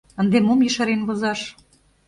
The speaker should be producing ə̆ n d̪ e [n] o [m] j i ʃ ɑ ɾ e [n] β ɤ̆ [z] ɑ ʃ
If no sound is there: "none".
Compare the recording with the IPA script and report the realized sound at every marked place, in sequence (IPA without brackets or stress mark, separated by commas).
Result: m, m, n, z